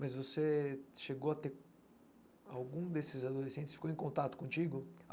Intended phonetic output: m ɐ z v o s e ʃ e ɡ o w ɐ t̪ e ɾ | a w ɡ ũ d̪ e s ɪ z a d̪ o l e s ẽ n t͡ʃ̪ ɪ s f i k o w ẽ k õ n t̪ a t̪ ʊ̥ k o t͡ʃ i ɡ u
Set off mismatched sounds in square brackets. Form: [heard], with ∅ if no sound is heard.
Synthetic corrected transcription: m ɐ z v o s e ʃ e ɡ o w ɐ t̪ e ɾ | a w ɡ ũ d̪ e s ɪ z a d̪ o l e s ẽ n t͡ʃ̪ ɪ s f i k o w ẽ k õ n t̪ a t̪ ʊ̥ k [õ] t͡ʃ i ɡ [ʊ]

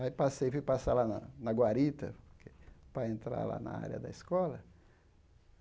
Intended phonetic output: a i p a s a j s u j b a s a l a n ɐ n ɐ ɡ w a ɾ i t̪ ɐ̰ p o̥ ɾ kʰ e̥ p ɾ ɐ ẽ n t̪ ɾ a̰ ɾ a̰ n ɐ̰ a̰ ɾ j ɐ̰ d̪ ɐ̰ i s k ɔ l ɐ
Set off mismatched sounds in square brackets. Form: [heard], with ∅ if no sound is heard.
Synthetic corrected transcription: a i p a s [e] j [f] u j [p] a s a l a n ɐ n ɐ ɡ w a ɾ i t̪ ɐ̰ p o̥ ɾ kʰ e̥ p ɾ ɐ ẽ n t̪ ɾ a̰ [l] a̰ n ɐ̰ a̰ ɾ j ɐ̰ d̪ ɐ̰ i s k ɔ l ɐ

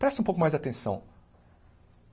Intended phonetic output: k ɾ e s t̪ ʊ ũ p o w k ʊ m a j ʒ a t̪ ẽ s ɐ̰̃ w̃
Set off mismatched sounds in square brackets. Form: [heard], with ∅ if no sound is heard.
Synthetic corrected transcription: [p] ɾ [ɛ] s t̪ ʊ ũ p o w k ʊ m a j [z] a t̪ ẽ s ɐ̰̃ w̃

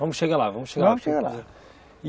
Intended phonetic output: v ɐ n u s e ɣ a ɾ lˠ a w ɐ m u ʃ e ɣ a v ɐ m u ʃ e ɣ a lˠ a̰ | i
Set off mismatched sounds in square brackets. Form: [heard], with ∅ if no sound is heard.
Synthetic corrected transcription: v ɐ [m] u [ʃ] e ɣ a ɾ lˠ a [v] ɐ m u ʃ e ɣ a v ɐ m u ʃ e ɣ a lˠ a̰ | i

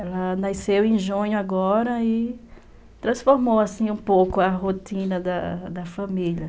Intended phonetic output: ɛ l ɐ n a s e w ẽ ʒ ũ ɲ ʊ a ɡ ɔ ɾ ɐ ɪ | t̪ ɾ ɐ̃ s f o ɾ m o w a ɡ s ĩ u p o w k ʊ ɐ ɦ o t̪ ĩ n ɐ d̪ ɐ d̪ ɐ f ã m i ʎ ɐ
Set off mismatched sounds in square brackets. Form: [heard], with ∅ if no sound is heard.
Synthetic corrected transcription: ɛ l ɐ n a s e w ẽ ʒ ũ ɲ ʊ a ɡ ɔ ɾ ɐ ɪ | t̪ ɾ ɐ̃ s f o ɾ m o w a [∅] s ĩ [ũ] p o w k ʊ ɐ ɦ o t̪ ĩ n ɐ d̪ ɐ d̪ ɐ f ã m i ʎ ɐ

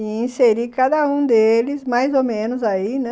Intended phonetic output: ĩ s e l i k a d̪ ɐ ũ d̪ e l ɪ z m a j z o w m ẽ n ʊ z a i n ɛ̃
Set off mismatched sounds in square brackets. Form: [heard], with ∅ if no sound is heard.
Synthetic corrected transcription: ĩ s e [ɾ] i k a d̪ ɐ ũ d̪ e l ɪ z m a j z o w m ẽ n ʊ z a i n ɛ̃

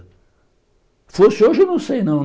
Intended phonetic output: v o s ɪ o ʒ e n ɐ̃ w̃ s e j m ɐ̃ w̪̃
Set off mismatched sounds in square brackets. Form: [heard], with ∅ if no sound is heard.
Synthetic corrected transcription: [f] o s ɪ o ʒ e n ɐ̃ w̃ s e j [n] ɐ̃ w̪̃

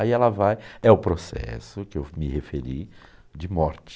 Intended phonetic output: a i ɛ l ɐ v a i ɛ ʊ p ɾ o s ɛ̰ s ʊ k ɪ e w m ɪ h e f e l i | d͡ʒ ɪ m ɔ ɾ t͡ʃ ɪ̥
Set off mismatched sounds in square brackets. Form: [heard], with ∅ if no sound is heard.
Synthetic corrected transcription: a i ɛ l ɐ v a [j] ɛ ʊ p ɾ o s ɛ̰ s ʊ k ɪ e w m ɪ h e f e [ɾ] i | d͡ʒ ɪ m ɔ ɾ t͡ʃ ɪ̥

